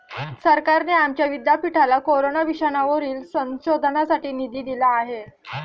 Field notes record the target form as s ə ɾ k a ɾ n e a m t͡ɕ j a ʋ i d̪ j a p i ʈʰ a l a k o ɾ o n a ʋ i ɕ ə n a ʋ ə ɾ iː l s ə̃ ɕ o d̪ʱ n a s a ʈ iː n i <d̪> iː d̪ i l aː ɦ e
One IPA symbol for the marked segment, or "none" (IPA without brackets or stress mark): d̪